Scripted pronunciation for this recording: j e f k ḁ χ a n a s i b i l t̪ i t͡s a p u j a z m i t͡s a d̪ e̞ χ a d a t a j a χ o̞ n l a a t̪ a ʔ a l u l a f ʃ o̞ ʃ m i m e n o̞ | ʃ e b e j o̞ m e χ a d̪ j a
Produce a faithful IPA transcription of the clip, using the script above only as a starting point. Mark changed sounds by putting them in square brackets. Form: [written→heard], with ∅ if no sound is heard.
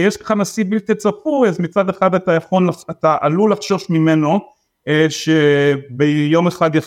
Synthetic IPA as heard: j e [f→ʃ] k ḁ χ a n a s i b i l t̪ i t͡s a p u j a z m i t͡s a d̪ e̞ χ a d a t a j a χ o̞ n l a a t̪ a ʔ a l u l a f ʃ o̞ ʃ m i m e n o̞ | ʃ e b e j o̞ m e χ a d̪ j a